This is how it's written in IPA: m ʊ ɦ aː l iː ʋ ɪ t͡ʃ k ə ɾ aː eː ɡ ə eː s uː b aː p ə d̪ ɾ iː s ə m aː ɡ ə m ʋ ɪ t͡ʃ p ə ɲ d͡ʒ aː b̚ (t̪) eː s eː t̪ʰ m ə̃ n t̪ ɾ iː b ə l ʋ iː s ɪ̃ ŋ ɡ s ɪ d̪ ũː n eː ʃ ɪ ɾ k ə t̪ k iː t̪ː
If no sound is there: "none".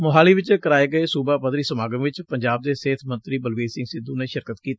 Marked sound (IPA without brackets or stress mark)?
d̪